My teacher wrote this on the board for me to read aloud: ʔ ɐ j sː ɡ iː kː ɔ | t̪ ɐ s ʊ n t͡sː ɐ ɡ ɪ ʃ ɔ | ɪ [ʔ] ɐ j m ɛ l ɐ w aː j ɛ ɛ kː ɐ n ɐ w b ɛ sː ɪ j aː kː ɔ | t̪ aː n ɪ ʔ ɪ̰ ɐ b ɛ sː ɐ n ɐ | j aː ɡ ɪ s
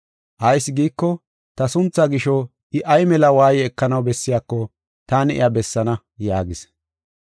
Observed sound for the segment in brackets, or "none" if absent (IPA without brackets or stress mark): ʔ